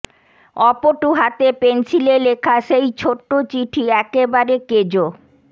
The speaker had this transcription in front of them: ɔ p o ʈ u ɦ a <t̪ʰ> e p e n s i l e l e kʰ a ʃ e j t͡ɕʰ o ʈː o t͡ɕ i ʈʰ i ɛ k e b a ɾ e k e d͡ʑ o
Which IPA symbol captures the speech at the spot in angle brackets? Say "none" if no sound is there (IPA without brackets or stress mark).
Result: t̪